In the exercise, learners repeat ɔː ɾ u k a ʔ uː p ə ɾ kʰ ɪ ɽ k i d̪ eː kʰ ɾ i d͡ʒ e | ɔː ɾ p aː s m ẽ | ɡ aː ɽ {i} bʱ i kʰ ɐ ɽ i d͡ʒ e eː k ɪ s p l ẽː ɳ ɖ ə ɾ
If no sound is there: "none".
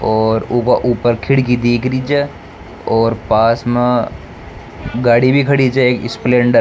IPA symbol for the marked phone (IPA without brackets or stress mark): i